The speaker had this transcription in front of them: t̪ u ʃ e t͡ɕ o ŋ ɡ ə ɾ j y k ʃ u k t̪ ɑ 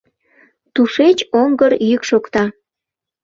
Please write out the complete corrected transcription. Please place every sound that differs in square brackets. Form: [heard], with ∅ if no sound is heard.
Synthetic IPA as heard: t̪ u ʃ e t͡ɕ o ŋ ɡ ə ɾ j y k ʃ [o] k t̪ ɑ